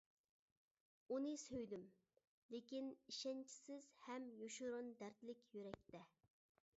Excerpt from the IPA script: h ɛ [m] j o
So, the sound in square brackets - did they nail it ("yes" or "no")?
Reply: yes